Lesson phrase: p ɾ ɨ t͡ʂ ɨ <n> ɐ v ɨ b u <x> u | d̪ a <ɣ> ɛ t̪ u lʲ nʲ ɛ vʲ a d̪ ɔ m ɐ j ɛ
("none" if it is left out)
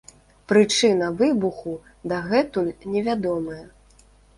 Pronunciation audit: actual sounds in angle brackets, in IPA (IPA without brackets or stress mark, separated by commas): n, x, ɣ